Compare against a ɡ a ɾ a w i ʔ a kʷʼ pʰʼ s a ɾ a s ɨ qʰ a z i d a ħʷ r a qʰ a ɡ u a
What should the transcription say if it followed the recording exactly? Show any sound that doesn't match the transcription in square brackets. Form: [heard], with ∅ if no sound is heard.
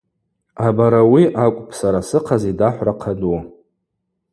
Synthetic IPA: a [b] a ɾ a w i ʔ a kʷʼ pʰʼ s a ɾ a s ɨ qʰ a z i d a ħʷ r a qʰ a [d] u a